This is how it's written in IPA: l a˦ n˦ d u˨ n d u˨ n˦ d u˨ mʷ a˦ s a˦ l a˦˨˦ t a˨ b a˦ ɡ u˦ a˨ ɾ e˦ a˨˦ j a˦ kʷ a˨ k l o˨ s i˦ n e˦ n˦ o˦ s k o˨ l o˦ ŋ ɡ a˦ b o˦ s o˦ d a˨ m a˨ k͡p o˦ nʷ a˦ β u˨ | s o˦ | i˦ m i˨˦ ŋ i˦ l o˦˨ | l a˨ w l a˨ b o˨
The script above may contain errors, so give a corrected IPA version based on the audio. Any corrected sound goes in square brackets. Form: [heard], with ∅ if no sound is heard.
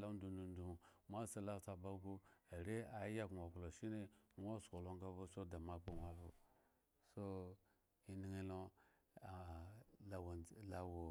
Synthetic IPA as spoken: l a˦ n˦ d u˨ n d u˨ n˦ d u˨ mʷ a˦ s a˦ l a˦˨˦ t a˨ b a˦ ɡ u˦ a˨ ɾ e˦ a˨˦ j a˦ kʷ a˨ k l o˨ [ʃ] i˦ n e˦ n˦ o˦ s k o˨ l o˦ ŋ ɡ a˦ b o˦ s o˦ d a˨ m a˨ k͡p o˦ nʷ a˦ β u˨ | s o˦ | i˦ [n] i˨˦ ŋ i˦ l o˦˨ | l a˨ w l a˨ [w] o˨